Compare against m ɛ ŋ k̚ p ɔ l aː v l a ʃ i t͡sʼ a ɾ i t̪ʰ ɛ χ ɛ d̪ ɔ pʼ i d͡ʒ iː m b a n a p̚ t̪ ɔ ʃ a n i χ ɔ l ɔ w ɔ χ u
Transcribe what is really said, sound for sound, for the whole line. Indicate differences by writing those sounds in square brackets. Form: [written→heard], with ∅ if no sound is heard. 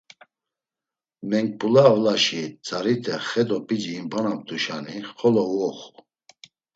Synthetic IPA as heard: m ɛ ŋ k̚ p [ɔ→u] l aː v l a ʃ i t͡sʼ a ɾ i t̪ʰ ɛ χ ɛ d̪ ɔ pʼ i d͡ʒ iː m b a n a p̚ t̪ [ɔ→u] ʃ a n i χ ɔ l ɔ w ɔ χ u